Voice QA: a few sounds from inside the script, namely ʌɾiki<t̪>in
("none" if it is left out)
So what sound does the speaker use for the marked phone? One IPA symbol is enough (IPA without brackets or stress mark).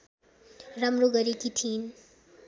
t̪ʰ